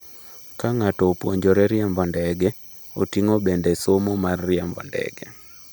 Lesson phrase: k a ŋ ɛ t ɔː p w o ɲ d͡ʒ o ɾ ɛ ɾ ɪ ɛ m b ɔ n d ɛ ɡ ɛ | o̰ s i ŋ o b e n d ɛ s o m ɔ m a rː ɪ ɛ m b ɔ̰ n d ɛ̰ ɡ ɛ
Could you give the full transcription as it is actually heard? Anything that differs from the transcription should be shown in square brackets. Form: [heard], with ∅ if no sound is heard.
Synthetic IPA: k a ŋ [a] t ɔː p w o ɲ d͡ʒ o ɾ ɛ ɾ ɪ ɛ m b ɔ n d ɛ ɡ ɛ | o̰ [t] i ŋ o b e n d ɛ s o m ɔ m a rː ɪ ɛ m b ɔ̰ n d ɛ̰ ɡ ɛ